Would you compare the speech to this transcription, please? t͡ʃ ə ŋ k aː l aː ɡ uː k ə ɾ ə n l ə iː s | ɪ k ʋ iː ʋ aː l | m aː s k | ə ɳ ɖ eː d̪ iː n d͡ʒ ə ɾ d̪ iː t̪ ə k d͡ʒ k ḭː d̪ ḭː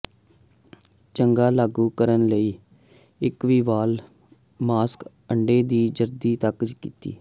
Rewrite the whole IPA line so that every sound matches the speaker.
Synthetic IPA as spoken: t͡ʃ ə ŋ ɡ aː l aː ɡ uː k ə ɾ ə n l ə iː | ɪ k ʋ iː ʋ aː l | m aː s k | ə ɳ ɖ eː d̪ iː d͡ʒ ə ɾ d̪ iː t̪ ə k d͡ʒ k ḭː t̪ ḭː